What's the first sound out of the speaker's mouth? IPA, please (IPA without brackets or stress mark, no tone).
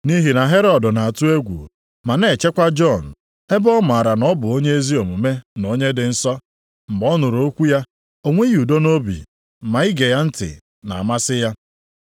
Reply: n